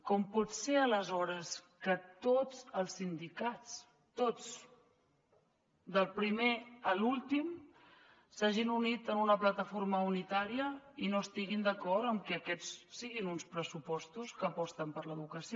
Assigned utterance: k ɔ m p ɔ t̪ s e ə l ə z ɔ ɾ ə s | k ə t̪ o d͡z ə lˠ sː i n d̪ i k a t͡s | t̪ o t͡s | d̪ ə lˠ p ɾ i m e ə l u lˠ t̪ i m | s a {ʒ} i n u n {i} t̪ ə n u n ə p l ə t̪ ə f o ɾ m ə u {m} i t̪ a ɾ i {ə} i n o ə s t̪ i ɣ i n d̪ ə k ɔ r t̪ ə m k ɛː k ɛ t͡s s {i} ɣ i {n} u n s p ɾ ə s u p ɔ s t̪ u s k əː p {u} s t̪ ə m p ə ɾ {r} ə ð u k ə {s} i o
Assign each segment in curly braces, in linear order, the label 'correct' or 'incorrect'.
correct, correct, incorrect: n, correct, correct, correct, incorrect: ɔ, incorrect: l, correct

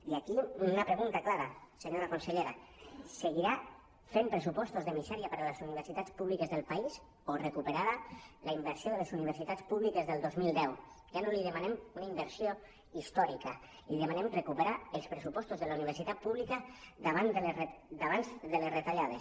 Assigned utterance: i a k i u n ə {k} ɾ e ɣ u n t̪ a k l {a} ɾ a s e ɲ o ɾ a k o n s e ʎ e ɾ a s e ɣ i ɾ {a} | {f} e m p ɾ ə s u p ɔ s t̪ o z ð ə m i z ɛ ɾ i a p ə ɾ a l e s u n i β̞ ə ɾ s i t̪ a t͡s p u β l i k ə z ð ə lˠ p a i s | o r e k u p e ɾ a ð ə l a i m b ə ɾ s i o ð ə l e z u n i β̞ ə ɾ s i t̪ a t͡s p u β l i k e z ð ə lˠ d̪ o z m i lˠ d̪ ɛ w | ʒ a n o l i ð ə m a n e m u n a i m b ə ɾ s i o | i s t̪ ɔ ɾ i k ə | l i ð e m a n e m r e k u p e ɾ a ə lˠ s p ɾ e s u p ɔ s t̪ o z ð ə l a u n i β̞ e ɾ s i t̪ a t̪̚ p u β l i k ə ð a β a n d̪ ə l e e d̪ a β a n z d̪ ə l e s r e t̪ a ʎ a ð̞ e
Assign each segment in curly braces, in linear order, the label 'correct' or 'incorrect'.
incorrect: p, correct, correct, correct

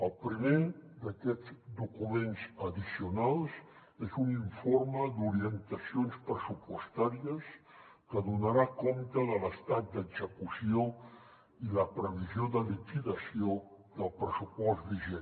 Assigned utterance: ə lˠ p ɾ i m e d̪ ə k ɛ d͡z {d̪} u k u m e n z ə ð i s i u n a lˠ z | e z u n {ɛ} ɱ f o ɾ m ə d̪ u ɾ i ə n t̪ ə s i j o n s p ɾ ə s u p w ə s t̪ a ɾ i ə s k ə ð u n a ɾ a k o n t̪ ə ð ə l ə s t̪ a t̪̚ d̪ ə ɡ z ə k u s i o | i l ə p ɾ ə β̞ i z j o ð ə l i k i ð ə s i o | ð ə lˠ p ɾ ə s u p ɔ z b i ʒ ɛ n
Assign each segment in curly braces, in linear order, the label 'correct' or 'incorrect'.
correct, incorrect: i

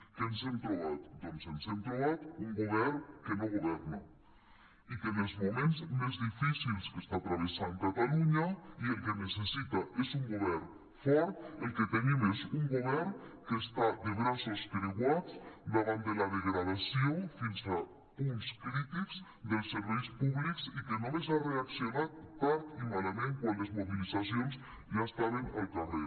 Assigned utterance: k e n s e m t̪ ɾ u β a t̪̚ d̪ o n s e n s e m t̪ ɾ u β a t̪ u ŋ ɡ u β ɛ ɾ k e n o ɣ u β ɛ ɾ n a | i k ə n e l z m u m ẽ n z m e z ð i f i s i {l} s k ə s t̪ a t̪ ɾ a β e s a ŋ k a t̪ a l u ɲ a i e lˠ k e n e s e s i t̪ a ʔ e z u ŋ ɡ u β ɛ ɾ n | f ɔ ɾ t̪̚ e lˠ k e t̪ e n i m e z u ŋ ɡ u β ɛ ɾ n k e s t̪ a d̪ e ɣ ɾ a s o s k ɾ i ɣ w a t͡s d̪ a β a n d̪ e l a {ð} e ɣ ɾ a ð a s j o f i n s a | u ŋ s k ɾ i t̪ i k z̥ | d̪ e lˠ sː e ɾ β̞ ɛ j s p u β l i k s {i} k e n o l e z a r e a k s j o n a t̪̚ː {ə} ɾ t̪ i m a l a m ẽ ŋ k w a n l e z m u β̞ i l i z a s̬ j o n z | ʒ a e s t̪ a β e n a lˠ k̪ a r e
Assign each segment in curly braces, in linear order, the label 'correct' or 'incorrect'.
correct, correct, correct, incorrect: a

